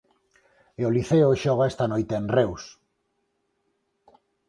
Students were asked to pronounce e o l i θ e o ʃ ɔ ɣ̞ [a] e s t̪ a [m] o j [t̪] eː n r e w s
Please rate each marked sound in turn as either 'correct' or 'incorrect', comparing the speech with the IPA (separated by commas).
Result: correct, incorrect, correct